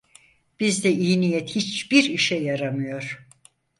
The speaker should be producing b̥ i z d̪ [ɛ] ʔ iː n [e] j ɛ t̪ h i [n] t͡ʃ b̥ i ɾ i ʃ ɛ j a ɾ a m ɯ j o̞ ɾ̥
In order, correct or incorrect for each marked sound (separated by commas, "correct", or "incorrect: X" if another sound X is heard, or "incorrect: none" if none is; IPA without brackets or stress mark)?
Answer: correct, incorrect: i, incorrect: none